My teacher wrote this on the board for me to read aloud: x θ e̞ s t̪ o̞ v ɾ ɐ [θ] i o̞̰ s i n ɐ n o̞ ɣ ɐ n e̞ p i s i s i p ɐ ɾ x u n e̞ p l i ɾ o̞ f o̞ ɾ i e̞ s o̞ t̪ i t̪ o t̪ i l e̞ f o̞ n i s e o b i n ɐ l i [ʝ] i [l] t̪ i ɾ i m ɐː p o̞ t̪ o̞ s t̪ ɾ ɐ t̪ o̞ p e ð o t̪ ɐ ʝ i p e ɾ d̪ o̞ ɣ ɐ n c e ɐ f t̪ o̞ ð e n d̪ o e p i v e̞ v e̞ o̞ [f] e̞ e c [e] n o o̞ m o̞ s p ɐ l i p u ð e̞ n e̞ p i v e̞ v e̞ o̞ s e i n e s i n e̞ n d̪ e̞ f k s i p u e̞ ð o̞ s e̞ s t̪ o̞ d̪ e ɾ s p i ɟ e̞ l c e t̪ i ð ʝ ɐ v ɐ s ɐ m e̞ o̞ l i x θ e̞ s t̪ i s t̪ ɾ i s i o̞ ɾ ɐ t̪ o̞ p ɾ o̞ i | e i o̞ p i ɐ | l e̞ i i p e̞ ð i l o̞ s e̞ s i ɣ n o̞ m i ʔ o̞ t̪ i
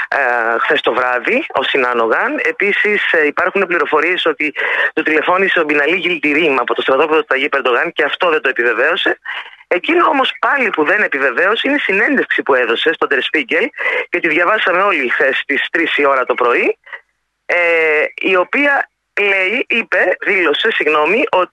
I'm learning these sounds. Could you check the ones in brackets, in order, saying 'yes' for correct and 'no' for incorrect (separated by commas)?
no, yes, yes, no, no